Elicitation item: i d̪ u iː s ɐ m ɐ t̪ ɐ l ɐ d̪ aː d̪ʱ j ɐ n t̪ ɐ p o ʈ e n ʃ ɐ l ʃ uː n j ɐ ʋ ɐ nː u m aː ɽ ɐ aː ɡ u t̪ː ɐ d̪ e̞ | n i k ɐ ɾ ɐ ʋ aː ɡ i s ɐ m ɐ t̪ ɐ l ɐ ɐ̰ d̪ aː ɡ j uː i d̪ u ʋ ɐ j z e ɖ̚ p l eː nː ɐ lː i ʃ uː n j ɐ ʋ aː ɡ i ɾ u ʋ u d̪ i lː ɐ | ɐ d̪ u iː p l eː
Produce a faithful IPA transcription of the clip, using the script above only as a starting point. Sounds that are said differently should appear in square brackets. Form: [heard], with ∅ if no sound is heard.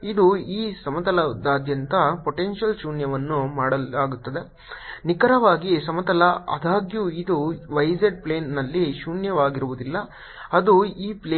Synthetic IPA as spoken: i d̪ u iː s ɐ m ɐ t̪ ɐ l ɐ d̪ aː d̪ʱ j ɐ n t̪ ɐ p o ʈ e n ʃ ɐ l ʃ uː n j ɐ ʋ ɐ nː u m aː ɽ ɐ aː ɡ u t̪ː ɐ d̪ e̞ | n i k ɐ ɾ ɐ ʋ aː ɡ i s ɐ m ɐ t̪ ɐ l ɐ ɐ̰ d̪ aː ɡ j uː i d̪ u ʋ ɐ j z e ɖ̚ p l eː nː ɐ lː i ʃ uː n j ɐ ʋ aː ɡ i ɾ u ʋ u d̪ i lː ɐ | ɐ d̪ u iː p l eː